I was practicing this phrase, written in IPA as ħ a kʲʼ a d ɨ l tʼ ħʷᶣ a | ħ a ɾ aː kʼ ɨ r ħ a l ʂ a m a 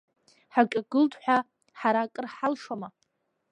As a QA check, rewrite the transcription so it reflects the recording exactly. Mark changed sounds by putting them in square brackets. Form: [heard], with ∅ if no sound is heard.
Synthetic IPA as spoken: ħ a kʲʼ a [ɡ] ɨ l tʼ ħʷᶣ a | ħ a ɾ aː kʼ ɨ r ħ a l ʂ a m a